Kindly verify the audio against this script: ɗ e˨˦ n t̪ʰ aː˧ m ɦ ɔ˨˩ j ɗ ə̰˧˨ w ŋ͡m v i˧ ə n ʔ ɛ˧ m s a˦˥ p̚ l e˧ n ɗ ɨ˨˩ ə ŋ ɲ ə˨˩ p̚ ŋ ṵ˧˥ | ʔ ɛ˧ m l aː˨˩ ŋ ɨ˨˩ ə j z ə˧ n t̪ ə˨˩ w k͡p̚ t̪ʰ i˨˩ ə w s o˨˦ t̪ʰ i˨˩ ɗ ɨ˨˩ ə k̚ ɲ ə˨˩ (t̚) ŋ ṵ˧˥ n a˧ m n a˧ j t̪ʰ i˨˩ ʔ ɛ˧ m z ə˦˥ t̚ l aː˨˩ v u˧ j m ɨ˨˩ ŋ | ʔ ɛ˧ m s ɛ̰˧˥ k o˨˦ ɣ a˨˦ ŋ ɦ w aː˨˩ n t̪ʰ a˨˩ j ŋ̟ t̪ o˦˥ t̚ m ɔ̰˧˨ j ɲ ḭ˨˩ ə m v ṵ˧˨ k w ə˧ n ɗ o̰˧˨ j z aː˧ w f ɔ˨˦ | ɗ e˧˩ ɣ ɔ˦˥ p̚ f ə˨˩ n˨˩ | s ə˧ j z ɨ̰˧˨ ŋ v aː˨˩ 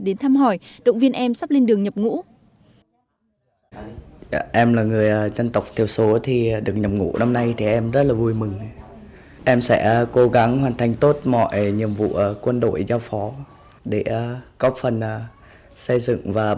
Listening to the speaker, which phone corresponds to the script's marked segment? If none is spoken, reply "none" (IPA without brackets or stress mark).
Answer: p̚